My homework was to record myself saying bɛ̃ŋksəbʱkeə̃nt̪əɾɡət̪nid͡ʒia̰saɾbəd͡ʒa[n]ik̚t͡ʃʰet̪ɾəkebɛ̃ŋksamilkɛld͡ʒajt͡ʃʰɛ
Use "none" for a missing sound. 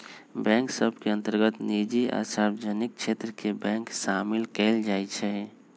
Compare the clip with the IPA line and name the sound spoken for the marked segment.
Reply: n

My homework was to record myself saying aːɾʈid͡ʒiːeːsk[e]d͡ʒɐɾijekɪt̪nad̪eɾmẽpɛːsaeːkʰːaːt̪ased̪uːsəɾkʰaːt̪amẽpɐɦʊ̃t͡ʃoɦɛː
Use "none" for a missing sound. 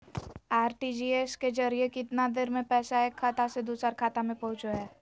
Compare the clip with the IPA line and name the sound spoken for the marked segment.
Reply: e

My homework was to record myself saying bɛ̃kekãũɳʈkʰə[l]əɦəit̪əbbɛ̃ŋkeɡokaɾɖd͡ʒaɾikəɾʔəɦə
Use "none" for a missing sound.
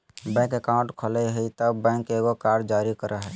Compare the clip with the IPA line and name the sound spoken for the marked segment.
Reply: l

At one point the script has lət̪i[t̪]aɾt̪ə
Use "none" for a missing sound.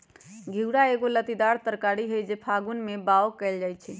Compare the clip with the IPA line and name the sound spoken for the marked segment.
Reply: d̪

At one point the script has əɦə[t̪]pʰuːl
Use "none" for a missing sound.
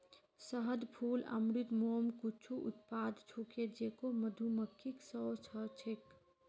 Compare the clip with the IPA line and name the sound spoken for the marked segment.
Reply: d̪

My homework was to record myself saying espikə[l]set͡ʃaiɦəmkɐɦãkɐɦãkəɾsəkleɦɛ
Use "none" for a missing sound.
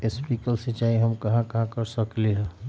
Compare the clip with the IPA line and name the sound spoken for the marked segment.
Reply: l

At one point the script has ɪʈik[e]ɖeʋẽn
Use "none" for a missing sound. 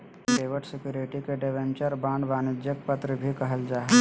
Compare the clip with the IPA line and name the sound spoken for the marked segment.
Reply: e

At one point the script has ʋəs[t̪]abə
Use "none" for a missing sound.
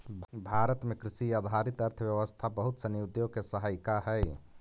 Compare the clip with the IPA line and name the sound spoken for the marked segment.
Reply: t̪ʰ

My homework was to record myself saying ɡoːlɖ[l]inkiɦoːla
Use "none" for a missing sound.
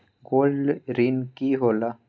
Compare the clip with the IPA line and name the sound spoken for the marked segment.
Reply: ɾ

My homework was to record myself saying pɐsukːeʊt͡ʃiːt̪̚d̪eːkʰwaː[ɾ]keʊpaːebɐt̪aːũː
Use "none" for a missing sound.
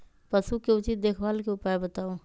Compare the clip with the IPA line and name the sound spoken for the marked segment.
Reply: l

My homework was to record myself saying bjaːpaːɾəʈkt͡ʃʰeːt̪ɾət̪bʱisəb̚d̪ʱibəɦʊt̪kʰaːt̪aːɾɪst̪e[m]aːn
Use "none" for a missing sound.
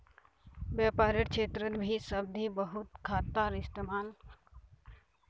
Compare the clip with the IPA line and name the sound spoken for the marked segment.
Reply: m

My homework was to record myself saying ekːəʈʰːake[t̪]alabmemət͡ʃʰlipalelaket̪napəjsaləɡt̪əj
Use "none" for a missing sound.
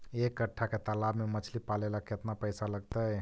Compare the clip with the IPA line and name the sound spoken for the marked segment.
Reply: t̪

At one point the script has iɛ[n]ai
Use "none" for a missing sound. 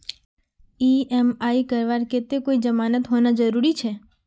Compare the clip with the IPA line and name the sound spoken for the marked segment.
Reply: m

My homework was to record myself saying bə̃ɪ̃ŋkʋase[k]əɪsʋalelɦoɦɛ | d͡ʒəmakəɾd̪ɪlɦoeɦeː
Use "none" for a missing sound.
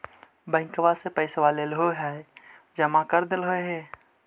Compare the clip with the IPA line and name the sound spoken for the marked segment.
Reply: p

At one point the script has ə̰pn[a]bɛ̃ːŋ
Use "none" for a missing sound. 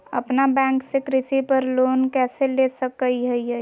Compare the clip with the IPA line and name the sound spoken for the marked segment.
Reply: a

